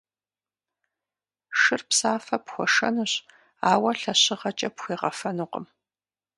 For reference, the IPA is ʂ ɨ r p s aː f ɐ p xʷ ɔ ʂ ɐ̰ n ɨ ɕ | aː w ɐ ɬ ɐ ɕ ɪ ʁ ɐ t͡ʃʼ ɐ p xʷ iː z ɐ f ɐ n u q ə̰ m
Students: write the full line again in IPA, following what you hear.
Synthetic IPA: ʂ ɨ r p s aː f ɐ p xʷ ɔ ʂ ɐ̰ n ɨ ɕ | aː w ɐ ɬ ɐ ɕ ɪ ʁ ɐ t͡ʃʼ ɐ p xʷ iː ʁ ɐ f ɐ n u q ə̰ m